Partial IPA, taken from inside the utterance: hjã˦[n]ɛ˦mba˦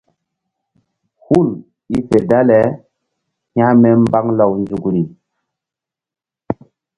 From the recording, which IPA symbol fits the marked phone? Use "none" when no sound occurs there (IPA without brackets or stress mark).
m